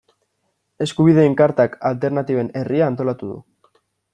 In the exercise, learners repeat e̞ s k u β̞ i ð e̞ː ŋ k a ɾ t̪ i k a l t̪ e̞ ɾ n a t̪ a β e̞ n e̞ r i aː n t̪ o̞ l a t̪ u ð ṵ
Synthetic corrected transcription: e̞ s k u β̞ i ð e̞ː ŋ k a ɾ t̪ a k a l t̪ e̞ ɾ n a t̪ i β e̞ n e̞ r i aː n t̪ o̞ l a t̪ u ð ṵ